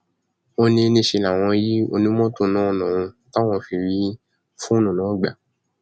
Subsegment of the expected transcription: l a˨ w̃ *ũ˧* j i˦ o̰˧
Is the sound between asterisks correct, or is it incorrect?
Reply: incorrect